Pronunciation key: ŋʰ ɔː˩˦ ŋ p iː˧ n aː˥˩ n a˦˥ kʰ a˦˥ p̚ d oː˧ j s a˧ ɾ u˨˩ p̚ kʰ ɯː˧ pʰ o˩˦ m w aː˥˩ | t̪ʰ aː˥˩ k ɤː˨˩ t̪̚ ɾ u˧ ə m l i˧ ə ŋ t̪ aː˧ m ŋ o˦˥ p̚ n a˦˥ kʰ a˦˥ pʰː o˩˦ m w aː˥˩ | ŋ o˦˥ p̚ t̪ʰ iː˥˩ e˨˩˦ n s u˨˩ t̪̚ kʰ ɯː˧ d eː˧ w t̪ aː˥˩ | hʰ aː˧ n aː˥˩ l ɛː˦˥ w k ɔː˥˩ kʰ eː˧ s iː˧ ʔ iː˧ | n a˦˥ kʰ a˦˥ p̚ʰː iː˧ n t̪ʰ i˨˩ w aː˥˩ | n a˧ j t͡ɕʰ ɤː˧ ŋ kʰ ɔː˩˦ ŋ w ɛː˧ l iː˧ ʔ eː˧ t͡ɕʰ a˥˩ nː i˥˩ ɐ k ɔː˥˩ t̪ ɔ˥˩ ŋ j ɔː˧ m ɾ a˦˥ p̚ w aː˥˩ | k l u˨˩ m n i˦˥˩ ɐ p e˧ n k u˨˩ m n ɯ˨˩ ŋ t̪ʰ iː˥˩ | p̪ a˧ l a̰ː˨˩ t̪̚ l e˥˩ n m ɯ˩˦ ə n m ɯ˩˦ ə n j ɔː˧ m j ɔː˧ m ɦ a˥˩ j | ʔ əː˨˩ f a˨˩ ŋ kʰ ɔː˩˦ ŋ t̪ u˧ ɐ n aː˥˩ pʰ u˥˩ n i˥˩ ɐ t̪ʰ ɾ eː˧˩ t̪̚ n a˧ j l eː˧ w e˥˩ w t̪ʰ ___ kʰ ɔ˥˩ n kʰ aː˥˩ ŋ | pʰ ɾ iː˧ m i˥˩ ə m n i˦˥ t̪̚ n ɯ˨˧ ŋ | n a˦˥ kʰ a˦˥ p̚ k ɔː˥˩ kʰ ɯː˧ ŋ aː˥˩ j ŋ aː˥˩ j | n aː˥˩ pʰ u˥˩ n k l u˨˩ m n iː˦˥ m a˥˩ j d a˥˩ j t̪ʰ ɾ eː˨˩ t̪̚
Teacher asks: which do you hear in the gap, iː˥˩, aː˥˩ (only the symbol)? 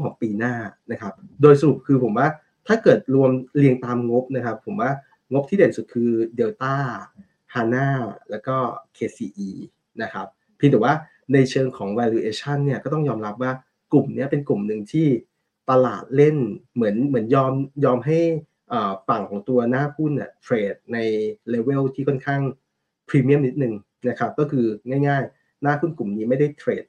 iː˥˩